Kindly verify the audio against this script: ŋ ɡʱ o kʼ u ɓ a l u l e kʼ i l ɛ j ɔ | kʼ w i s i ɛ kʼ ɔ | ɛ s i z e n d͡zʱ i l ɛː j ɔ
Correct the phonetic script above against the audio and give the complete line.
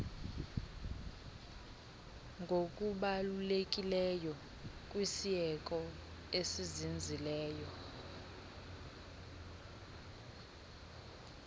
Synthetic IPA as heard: ŋ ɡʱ o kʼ u ɓ a l u l e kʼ i l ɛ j ɔ | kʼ w i s i ɛ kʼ ɔ | e s i z i n d͡zʱ i l ɛː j ɔ

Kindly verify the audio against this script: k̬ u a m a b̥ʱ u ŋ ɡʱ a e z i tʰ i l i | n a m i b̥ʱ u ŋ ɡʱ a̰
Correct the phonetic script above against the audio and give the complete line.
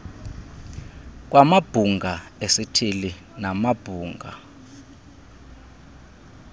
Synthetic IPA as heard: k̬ w a m a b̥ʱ u ŋ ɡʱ a e s i tʰ i l i | n a m a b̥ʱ uː ŋ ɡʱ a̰

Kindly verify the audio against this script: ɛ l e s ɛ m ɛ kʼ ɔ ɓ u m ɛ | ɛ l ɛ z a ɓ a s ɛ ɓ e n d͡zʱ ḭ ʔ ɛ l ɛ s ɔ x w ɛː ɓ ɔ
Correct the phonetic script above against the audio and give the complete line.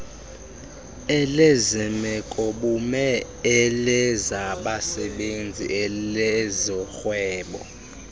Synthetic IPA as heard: ɛ l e z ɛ m ɛ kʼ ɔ ɓ u m ɛ | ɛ l ɛ z a ɓ a s ɛ ɓ e n d͡zʱ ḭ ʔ ɛ l ɛ z ɔ x w ɛː ɓ ɔ

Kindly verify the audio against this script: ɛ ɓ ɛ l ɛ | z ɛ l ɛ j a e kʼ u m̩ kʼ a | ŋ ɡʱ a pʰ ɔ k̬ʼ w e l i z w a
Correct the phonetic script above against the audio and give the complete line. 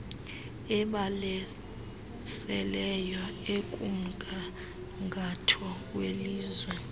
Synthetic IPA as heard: ɛ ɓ a l ɛ | s ɛ l ɛ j a e kʼ u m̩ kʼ a | ŋ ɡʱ a tʰ ɔ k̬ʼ w e l iː z w ɛ

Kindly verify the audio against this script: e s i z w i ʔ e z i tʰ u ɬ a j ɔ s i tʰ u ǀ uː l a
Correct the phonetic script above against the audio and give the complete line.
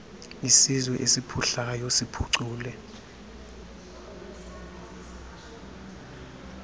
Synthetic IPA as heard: i s i z w ɛ ʔ e s i pʰ u ɬ a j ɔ s i pʰ u ǀ uː l ɛ

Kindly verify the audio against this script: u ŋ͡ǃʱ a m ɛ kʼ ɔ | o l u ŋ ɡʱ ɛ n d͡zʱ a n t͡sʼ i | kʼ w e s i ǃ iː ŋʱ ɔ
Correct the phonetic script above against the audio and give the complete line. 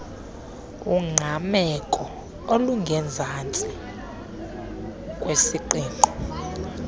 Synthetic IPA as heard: u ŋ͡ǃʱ a m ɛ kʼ ɔ | o l u ŋ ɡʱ ɛ n d͡zʱ a n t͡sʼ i | kʼ w e s i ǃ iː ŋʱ ɔ

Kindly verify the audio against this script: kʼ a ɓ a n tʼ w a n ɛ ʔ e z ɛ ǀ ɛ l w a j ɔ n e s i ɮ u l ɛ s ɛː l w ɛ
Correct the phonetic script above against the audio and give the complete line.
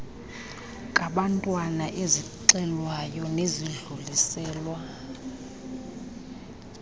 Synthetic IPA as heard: kʼ a ɓ a n tʼ w a n a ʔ e z i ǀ ɛ l w a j ɔ n e z i ɮ u l i s ɛː l w a

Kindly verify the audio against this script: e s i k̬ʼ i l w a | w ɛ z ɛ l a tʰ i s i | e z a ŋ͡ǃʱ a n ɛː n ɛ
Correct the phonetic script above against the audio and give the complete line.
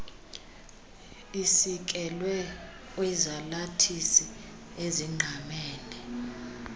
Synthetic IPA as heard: i s i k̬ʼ ɛ l w ɛ | w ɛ z a l a tʰ i s i | e z i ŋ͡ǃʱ a m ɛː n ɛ

